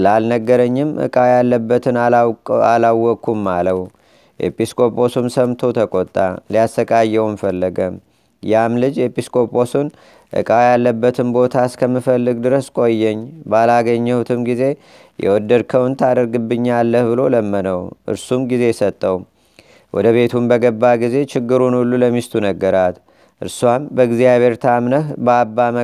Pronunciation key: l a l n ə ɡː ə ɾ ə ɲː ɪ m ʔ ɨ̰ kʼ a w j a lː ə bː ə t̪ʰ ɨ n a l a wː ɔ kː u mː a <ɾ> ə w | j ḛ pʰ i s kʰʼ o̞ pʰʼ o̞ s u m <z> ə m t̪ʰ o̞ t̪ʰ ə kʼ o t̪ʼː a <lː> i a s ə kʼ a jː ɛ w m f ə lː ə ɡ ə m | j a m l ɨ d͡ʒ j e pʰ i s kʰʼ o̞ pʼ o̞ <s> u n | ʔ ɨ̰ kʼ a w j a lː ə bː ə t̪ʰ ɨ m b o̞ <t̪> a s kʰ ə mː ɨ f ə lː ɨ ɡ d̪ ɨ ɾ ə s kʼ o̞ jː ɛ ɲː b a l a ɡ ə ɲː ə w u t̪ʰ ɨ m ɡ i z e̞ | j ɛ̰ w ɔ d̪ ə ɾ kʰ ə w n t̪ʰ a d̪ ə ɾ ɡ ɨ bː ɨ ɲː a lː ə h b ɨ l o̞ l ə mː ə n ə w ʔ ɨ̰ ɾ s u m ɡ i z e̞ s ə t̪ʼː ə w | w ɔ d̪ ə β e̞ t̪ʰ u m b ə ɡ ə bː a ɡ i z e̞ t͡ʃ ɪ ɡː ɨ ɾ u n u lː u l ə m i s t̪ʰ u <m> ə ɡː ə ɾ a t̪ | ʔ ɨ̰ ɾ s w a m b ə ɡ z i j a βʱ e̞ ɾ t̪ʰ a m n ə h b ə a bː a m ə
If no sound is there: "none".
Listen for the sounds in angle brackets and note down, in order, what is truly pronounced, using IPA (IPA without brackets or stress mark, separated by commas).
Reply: l, s, l, s, t̪ʰ, n